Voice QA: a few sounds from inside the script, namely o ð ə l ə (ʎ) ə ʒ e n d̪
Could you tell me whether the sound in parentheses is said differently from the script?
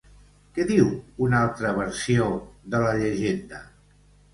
no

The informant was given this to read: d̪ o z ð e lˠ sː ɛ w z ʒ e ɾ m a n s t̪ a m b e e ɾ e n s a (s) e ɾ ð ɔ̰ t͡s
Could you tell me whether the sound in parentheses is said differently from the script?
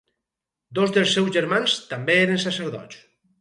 no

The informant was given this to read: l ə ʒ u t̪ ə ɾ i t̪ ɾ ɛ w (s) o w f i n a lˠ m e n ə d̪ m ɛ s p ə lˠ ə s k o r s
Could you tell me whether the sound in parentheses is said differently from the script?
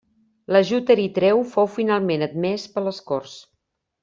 yes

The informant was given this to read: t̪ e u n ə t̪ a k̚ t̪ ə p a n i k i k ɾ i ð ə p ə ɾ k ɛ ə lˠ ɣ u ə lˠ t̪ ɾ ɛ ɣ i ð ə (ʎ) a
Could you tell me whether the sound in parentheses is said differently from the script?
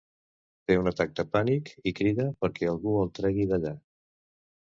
no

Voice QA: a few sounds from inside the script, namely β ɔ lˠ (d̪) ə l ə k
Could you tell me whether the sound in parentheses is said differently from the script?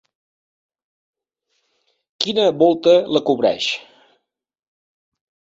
yes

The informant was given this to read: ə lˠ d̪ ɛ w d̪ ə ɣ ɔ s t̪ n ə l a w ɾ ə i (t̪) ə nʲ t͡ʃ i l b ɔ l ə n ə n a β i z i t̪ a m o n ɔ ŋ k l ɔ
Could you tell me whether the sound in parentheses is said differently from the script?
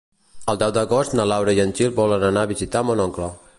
yes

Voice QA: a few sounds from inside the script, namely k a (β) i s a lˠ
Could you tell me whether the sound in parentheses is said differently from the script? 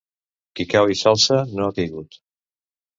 yes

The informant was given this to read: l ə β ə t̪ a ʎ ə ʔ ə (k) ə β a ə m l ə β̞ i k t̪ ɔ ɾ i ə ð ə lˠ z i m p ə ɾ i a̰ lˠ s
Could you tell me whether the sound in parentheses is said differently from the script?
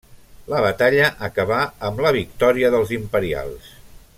no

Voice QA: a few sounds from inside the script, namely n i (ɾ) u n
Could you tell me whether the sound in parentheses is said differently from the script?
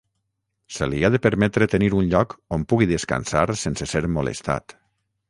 no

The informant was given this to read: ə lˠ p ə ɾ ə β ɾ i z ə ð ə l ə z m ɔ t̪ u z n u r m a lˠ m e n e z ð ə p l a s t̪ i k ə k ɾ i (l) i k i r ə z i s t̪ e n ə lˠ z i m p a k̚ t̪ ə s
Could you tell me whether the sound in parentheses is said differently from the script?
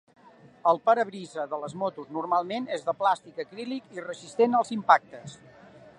no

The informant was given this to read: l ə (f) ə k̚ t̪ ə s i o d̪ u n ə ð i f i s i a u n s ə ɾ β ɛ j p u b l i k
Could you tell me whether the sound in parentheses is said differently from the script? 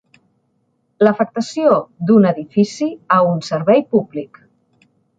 no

